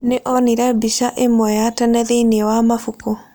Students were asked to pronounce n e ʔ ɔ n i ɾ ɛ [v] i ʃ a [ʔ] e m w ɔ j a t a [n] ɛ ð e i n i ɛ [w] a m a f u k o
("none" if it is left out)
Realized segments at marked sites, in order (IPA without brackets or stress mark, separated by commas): b, ʔ, n, w